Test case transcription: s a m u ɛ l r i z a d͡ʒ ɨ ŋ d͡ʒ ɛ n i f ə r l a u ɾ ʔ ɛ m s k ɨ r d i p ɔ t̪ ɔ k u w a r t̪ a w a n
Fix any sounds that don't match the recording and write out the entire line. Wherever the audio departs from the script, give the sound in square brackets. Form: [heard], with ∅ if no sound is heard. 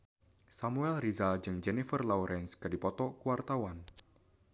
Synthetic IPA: s a m u ɛ l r i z a d͡ʒ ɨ ŋ d͡ʒ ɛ n i f ə r l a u ɾ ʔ ɛ [n] s k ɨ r d i p ɔ t̪ ɔ k u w a r t̪ a w a n